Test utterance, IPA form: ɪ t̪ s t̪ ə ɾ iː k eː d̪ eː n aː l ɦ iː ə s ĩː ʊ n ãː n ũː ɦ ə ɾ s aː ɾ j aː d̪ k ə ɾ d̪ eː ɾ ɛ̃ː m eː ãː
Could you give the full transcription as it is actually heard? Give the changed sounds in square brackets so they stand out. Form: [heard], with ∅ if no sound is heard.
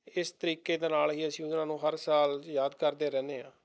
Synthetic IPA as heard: ɪ [∅] s t̪ ə ɾ iː k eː d̪ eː n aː l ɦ iː ə s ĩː ʊ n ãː n ũː ɦ ə ɾ s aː [l] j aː d̪ k ə ɾ d̪ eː ɾ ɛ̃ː [n] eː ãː